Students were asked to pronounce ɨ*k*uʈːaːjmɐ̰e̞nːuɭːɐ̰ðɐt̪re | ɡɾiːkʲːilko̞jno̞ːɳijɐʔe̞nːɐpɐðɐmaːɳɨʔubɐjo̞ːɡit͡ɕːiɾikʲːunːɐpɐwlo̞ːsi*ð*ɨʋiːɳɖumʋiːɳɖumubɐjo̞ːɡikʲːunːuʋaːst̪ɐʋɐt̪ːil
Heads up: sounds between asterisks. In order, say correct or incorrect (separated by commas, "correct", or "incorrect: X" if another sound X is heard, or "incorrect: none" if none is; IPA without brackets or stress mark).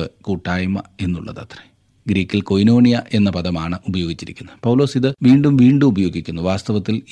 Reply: correct, correct